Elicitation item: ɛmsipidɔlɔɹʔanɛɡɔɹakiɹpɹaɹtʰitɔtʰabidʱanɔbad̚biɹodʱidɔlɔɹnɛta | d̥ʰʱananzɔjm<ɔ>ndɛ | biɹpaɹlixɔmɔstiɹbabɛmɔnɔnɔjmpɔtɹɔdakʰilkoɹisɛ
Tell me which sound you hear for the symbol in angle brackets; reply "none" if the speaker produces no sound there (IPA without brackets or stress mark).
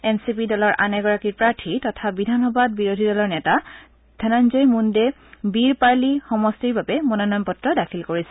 u